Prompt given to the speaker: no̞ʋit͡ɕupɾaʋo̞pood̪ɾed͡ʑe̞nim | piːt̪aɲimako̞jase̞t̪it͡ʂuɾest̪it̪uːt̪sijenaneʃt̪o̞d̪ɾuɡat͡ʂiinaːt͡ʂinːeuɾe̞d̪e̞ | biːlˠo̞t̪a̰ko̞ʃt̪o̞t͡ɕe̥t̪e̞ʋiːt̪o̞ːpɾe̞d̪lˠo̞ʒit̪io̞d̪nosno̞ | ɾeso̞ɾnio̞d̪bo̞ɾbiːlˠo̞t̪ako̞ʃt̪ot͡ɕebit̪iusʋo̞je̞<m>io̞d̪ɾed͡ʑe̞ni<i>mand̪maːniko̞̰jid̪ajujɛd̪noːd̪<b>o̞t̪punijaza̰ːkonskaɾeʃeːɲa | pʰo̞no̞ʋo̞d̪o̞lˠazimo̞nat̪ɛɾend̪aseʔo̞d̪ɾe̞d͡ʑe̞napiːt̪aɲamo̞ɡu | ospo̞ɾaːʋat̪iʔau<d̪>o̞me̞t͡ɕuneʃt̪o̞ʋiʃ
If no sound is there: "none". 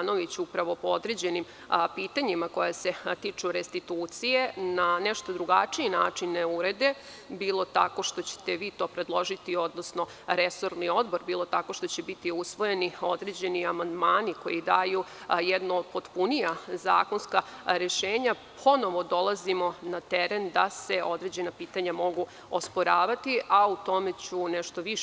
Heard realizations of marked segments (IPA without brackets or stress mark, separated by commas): n, a, p, t̪